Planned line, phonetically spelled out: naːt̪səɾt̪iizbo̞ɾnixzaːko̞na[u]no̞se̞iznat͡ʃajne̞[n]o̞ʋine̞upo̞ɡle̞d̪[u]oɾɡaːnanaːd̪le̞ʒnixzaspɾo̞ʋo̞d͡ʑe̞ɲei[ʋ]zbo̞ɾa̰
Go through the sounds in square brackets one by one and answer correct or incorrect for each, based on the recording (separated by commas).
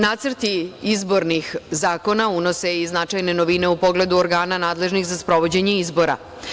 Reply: correct, correct, correct, incorrect